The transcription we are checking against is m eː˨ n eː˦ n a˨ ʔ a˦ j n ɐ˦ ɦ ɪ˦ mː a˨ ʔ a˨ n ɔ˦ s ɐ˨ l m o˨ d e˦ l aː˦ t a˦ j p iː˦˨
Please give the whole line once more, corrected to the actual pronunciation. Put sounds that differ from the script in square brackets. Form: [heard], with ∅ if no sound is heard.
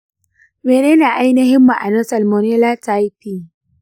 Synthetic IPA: m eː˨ n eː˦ n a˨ ʔ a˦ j n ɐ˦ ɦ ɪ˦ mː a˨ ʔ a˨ n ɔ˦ s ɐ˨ l m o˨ [n] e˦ l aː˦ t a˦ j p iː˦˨